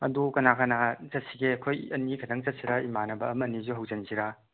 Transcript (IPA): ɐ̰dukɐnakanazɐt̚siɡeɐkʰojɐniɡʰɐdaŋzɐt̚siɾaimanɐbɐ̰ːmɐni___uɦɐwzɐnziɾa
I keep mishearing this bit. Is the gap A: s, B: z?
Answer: B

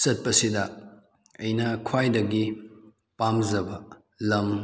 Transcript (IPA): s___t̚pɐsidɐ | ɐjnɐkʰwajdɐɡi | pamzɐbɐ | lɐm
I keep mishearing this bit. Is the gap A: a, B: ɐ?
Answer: B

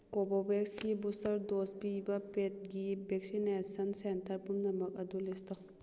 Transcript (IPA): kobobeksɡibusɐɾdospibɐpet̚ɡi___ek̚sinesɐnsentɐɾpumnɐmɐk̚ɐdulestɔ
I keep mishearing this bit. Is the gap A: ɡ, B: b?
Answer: B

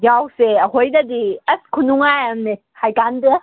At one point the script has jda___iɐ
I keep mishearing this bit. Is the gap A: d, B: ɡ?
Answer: A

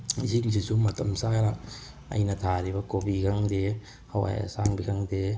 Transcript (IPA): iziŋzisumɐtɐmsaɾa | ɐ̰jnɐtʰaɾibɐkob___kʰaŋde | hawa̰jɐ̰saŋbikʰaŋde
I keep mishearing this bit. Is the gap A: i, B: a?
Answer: A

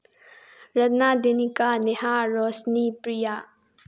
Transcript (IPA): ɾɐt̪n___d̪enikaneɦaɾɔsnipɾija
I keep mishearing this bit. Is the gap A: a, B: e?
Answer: A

